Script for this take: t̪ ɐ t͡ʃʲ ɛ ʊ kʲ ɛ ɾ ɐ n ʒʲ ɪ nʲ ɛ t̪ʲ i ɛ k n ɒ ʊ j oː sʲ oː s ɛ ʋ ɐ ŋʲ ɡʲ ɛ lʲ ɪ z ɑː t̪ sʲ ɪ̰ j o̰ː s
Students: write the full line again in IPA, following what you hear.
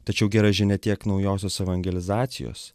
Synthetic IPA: t̪ ɐ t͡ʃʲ ɛ ʊ ɡʲ ɛ ɾ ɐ ʒʲ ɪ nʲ ɛ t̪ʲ i ɛ k n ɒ ʊ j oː sʲ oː s ɛ ʋ ɐ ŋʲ ɡʲ ɛ lʲ ɪ z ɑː t̪ sʲ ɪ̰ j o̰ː s